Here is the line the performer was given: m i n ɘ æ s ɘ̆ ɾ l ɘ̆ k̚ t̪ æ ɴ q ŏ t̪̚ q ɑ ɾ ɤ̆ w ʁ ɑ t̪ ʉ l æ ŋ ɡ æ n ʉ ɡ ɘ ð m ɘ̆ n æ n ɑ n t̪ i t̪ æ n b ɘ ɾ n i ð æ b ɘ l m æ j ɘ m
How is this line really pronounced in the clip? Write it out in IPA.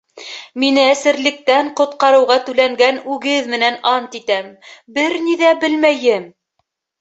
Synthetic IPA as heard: m i n ɘ æ s ɘ̆ ɾ l ɘ̆ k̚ t̪ æ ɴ q ŏ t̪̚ q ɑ ɾ ɤ̆ w ʁ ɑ t̪ ʉ l æ ŋ ɡ æ n ʉ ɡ ɘ ð m ɘ̆ n æ n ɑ n t̪ i t̪ æ m b ɘ ɾ n i ð æ b ɘ l m æ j ɘ m